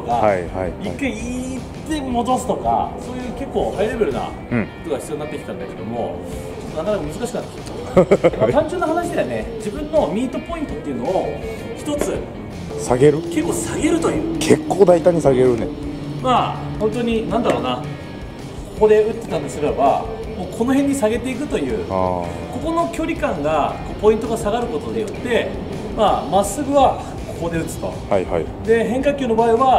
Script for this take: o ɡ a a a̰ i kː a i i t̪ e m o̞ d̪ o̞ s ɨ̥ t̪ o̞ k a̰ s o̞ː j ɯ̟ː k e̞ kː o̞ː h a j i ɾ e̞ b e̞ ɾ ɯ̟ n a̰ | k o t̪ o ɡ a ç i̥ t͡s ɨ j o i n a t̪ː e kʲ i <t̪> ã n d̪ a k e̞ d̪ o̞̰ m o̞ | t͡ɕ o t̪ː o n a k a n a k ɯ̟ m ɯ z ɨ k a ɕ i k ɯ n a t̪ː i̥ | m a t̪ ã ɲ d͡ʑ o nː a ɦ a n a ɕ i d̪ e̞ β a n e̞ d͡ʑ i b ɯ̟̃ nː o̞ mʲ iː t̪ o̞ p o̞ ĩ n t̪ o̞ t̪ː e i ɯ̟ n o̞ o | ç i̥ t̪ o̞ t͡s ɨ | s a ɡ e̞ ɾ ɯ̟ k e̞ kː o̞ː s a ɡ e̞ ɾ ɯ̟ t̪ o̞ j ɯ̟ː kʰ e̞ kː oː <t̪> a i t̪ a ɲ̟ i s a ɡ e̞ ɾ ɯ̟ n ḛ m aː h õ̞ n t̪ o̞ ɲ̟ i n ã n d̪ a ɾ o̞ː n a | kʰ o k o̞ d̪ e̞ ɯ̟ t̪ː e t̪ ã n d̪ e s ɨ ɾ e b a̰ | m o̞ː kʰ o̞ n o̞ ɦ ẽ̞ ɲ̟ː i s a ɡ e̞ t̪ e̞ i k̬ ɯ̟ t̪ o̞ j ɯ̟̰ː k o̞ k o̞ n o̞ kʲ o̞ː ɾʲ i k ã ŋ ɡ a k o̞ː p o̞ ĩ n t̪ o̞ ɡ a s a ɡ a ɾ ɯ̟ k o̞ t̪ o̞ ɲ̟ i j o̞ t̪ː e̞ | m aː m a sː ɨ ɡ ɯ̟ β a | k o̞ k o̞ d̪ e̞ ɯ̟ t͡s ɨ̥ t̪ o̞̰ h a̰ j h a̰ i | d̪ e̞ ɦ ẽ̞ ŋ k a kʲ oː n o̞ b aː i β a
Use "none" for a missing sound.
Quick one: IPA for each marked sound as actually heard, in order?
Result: t̪, d̪

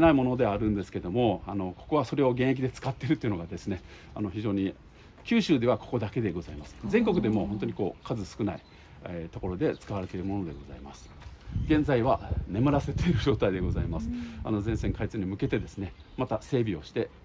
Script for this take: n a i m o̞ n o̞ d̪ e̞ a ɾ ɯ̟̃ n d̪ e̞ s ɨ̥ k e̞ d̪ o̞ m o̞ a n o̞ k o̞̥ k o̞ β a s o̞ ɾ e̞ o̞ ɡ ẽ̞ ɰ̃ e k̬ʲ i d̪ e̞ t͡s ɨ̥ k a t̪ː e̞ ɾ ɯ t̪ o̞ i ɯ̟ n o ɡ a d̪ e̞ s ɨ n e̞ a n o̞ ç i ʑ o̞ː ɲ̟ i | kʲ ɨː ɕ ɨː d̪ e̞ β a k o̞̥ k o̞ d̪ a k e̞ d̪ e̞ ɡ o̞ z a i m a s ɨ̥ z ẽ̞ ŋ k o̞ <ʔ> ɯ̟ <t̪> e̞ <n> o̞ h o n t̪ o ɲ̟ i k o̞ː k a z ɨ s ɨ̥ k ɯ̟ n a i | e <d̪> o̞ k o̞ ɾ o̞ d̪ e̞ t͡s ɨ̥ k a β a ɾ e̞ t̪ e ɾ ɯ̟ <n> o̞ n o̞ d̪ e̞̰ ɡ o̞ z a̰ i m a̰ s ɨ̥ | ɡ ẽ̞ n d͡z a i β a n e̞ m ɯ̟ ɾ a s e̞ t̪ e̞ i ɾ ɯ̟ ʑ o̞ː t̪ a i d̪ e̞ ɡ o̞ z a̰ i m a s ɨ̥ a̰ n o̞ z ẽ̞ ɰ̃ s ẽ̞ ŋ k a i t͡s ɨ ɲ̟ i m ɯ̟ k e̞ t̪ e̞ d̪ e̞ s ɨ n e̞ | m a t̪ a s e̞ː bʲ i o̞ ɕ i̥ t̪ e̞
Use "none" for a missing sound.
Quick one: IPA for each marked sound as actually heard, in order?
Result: k, d̪, m, t̪, m

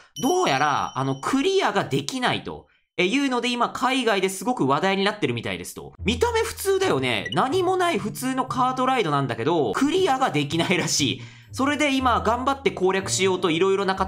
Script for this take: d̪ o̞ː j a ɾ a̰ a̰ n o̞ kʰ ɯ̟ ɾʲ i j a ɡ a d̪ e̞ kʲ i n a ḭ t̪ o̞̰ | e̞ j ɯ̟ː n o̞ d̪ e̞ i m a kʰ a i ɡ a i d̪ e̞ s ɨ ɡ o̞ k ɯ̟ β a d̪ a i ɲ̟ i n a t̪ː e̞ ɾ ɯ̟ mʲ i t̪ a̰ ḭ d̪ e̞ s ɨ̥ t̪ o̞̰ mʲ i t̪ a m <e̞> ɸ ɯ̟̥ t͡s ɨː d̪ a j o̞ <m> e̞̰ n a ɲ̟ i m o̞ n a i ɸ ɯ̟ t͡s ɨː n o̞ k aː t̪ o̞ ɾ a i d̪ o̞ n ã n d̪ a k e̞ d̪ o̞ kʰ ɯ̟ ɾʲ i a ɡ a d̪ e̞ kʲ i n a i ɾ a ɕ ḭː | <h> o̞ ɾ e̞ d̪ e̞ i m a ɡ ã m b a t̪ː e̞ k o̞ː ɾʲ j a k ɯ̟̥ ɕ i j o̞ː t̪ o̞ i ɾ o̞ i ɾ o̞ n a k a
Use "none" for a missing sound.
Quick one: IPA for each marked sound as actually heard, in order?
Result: e̞, n, s

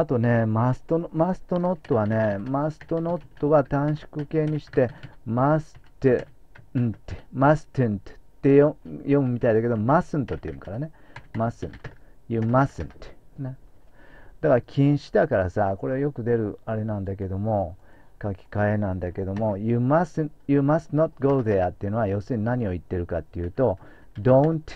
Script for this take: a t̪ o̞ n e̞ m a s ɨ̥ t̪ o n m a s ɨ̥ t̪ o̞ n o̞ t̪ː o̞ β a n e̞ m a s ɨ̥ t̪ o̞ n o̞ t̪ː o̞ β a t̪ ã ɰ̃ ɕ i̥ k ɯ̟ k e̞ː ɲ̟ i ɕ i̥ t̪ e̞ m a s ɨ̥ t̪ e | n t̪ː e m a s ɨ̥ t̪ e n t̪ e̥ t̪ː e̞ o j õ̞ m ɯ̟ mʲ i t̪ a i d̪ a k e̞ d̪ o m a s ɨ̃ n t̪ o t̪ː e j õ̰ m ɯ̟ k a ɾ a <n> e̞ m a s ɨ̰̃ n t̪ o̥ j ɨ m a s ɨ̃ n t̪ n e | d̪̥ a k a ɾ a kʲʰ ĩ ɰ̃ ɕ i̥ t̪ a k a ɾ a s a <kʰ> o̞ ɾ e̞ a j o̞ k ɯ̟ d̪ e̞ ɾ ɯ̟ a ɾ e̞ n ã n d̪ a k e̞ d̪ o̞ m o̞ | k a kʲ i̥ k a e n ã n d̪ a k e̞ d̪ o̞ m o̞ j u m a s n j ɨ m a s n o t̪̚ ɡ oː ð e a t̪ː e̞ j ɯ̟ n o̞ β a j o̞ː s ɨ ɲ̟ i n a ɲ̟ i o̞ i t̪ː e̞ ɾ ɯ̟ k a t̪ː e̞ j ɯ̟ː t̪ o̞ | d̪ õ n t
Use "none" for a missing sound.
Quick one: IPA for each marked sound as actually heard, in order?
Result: n, k

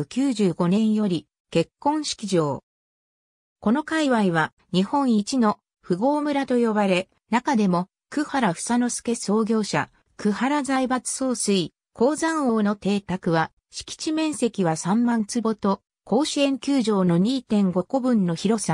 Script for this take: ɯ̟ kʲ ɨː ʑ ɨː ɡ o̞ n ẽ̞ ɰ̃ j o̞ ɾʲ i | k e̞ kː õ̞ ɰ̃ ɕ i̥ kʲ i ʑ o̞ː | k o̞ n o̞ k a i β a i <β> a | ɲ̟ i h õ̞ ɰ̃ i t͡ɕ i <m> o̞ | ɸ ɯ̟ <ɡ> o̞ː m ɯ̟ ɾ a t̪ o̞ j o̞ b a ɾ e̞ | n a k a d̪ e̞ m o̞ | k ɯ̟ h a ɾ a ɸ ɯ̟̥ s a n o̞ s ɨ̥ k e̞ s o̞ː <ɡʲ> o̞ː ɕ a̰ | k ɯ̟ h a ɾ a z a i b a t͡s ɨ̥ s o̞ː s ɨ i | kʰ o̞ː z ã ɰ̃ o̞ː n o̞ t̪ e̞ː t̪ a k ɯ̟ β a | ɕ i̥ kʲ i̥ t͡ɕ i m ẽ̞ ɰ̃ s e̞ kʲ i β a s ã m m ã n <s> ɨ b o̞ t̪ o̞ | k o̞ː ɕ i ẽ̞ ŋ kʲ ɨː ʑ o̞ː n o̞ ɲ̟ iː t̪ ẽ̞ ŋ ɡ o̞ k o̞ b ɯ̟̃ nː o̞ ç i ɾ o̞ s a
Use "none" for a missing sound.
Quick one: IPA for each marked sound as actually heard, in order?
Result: β, n, ɡ, ɡʲ, t͡s

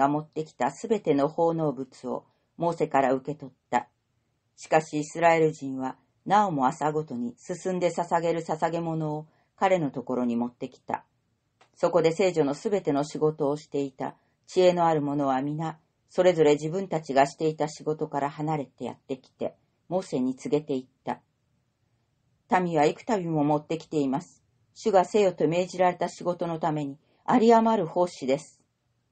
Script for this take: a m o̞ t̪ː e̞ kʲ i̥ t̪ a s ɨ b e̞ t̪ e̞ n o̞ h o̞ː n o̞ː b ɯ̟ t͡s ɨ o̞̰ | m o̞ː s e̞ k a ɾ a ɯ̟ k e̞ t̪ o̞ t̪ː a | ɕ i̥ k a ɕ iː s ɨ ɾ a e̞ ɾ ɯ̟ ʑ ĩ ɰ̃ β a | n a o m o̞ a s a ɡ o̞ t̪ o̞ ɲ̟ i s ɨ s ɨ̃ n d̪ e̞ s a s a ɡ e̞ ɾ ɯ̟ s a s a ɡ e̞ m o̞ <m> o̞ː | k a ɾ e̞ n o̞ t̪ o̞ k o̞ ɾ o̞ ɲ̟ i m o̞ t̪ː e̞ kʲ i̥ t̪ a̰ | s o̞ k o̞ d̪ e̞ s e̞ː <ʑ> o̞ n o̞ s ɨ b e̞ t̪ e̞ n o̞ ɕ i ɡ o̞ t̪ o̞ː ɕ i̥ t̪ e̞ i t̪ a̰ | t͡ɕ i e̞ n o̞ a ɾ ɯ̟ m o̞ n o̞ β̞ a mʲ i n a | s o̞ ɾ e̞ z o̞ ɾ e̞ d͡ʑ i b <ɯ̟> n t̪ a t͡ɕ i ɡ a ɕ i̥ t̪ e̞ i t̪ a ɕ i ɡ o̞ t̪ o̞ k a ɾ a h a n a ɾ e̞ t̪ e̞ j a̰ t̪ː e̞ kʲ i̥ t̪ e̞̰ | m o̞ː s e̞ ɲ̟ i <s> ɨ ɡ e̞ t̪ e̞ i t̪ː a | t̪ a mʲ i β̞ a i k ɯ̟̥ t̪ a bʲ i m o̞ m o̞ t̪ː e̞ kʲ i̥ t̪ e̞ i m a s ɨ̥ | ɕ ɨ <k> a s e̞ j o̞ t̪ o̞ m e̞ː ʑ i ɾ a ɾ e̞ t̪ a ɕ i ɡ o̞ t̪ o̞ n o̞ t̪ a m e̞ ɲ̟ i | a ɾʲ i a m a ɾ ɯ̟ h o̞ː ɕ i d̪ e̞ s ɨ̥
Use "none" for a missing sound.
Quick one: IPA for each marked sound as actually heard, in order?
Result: n, ʑ, ɯ̟̃, t͡s, ɡ

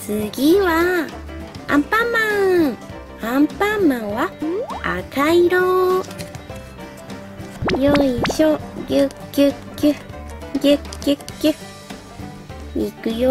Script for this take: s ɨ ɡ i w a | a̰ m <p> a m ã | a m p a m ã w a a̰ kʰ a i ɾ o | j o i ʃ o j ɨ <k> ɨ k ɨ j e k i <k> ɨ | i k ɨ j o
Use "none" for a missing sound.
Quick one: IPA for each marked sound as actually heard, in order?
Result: p, k, k

